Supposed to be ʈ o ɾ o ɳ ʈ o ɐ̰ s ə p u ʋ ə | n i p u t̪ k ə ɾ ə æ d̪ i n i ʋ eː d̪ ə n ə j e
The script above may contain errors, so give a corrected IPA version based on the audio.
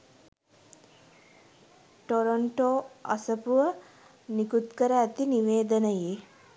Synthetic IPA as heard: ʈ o ɾ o ɳ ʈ o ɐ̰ s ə p u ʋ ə | n i k u t̪ k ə ɾ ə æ t̪ i n i ʋ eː d̪ ə n ə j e